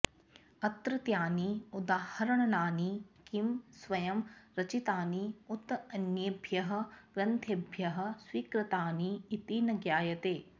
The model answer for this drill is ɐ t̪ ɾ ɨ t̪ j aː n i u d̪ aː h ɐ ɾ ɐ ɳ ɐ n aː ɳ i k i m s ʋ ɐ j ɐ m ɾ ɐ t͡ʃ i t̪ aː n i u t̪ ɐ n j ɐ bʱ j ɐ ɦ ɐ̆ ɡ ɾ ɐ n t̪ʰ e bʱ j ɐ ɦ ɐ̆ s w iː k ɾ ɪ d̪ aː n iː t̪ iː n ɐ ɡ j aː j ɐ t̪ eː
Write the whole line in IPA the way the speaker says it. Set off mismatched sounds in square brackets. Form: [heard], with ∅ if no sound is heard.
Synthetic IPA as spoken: ɐ t̪ ɾ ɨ t̪ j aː n i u d̪ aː h ɐ ɾ ɐ ɳ ɐ n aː [n] i k i m s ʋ ɐ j ɐ m ɾ ɐ t͡ʃ i t̪ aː n i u t̪ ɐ n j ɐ bʱ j ɐ ɦ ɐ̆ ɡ ɾ ɐ n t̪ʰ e bʱ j ɐ ɦ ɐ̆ s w iː k ɾ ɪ [t̪] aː n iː t̪ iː n ɐ ɡ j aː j ɐ t̪ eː